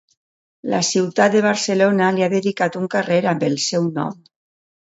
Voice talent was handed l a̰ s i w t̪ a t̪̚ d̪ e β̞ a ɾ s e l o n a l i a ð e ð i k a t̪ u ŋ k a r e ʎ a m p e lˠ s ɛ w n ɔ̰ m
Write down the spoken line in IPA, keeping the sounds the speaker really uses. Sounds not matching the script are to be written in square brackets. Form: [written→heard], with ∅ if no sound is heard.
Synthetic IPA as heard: l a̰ s i w t̪ a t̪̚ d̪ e β̞ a ɾ s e l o n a l i a ð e ð i k a t̪ u ŋ k a r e [ʎ→ɾ] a m [p→b] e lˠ s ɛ w n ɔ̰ m